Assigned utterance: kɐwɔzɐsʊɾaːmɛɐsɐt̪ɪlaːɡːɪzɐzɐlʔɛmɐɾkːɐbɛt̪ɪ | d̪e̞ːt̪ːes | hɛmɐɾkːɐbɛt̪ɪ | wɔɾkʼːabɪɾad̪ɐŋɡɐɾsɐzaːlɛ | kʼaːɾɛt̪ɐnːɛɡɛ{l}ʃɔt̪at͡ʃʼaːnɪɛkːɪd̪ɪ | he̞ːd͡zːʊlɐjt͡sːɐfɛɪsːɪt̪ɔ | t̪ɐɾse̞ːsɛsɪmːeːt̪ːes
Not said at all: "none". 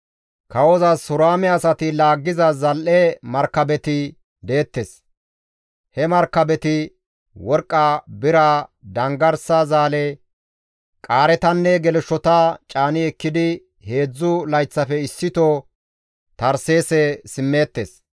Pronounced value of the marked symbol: l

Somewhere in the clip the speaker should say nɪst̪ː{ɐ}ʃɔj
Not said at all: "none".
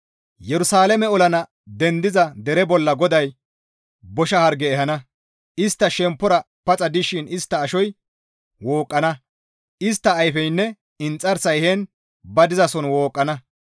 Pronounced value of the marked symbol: ɐː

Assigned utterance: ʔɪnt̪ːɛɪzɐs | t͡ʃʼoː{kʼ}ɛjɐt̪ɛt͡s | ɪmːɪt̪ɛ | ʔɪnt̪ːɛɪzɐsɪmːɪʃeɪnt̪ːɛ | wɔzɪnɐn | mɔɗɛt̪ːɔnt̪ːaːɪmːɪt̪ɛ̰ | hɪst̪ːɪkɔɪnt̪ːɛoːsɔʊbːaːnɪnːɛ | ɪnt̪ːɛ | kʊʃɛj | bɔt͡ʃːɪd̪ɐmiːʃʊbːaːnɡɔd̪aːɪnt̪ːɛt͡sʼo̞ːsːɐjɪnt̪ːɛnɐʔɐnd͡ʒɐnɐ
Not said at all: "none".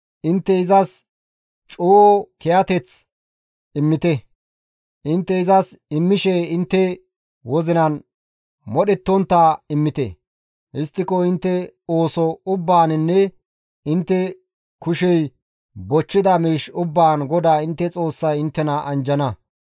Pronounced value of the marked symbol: k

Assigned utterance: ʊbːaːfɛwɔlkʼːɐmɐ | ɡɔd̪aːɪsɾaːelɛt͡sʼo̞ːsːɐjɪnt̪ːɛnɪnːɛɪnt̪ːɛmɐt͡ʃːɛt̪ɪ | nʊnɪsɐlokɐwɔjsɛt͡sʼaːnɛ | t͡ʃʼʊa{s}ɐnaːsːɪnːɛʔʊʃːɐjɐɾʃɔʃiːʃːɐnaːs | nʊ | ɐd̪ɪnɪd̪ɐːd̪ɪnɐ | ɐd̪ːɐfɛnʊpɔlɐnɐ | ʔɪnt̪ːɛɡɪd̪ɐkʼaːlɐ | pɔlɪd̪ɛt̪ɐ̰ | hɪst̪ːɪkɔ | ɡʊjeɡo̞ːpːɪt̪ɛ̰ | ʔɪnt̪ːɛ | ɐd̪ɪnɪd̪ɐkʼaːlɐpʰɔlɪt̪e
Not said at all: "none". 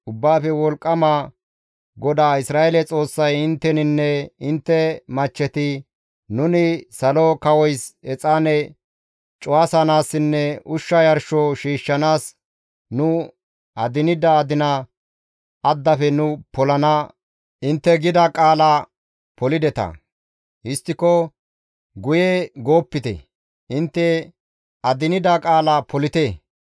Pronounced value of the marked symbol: s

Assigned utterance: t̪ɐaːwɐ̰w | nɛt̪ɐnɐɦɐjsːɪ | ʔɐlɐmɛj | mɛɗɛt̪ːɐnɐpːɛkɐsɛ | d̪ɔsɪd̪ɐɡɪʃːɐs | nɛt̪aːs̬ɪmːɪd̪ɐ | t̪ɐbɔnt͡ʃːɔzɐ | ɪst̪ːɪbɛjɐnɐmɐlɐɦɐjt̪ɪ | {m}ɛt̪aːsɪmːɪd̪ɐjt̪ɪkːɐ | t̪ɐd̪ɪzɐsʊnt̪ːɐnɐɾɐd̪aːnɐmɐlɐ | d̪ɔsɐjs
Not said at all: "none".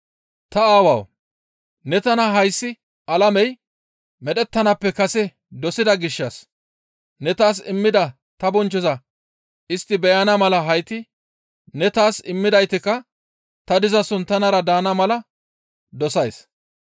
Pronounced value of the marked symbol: n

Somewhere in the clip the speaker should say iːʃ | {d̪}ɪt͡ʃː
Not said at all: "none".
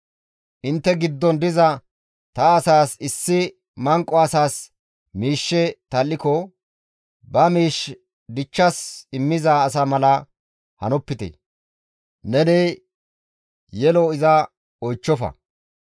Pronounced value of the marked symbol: d̪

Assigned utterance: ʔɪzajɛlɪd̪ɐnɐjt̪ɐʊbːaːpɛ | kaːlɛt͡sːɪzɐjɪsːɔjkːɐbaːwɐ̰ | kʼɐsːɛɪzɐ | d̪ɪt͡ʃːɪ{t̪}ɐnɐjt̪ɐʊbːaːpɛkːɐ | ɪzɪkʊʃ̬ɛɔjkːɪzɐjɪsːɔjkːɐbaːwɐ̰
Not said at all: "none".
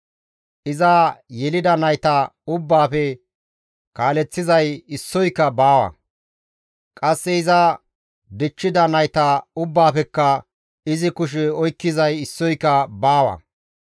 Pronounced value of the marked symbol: d̪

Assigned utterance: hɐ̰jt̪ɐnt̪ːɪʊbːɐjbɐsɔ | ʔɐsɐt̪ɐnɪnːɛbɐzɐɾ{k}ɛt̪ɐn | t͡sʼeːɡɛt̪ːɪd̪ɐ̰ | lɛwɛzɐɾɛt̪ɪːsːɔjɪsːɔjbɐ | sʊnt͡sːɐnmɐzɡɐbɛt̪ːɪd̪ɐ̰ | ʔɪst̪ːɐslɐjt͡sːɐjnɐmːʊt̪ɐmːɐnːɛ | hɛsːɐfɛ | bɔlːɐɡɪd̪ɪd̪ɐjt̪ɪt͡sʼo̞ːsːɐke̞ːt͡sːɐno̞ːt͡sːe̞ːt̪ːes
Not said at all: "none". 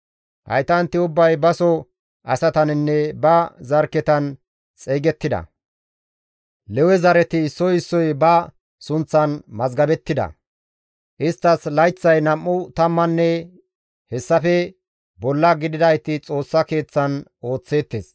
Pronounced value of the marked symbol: k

